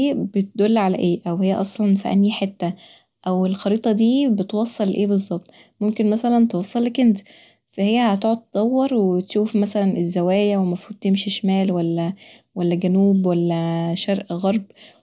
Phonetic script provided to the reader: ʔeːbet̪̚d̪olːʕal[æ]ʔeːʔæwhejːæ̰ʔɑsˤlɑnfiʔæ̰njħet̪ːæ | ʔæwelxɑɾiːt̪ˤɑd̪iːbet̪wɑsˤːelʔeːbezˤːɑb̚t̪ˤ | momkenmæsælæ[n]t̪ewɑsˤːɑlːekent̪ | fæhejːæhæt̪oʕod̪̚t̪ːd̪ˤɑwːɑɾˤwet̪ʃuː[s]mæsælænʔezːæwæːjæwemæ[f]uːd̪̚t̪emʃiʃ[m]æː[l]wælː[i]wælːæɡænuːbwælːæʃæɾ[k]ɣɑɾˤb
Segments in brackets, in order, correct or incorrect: correct, correct, incorrect, correct, correct, correct, incorrect, incorrect

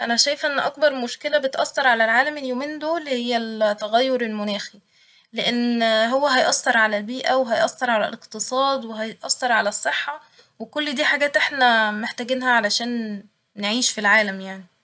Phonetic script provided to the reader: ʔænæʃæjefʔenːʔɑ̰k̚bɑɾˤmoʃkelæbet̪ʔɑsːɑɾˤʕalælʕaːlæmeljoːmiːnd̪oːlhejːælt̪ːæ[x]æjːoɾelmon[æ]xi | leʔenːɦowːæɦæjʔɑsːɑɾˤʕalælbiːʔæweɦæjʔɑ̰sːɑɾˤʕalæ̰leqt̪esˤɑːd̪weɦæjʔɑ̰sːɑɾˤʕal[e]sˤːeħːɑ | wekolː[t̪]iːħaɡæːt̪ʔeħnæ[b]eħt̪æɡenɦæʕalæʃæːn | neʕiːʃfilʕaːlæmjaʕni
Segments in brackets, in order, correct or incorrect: incorrect, incorrect, incorrect, incorrect, incorrect

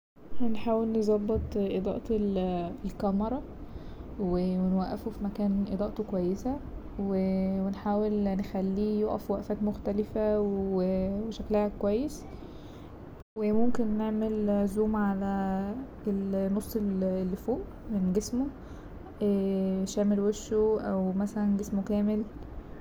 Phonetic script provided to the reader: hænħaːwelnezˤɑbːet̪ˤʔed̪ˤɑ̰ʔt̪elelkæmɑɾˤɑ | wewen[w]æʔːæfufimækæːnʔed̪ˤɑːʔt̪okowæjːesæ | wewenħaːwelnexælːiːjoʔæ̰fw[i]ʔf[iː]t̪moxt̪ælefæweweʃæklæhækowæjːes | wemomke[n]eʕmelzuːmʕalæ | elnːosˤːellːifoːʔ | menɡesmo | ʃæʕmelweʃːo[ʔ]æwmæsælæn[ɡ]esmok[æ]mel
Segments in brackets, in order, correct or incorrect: correct, incorrect, incorrect, incorrect, correct, correct, incorrect

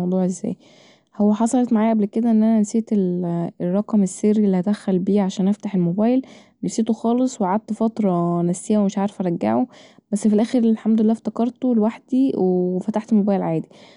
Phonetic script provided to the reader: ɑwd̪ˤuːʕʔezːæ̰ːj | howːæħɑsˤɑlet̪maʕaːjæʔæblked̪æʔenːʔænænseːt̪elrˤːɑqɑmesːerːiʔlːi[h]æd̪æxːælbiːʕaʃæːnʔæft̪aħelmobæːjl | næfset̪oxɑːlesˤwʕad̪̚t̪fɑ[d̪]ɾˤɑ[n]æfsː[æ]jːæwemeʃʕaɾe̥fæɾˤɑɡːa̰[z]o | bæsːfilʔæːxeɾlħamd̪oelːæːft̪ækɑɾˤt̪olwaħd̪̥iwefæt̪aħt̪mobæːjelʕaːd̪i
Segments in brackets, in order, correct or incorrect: correct, incorrect, correct, incorrect, incorrect

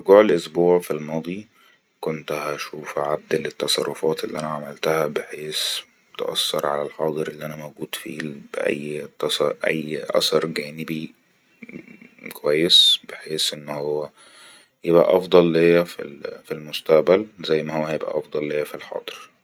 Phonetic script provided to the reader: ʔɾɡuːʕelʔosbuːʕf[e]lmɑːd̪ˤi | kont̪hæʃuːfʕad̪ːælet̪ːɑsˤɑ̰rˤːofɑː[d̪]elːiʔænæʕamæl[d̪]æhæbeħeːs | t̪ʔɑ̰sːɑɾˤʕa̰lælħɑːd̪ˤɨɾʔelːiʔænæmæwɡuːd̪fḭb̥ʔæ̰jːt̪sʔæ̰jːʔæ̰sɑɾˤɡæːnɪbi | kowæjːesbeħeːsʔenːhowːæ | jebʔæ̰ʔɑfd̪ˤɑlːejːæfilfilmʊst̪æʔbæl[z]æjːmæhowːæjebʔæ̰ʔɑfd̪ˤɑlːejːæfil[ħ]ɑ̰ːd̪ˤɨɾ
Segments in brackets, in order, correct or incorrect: incorrect, incorrect, incorrect, correct, correct

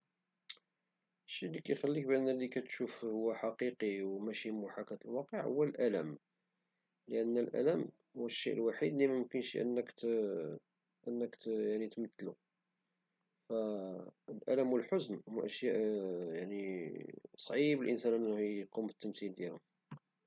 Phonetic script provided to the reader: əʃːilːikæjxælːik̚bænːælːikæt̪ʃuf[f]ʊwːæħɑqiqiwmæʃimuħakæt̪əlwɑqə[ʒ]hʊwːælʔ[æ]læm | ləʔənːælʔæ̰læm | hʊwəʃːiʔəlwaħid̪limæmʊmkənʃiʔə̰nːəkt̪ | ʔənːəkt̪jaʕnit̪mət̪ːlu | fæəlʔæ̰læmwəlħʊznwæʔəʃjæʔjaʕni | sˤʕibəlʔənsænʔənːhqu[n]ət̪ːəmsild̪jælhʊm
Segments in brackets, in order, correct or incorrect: incorrect, incorrect, correct, incorrect

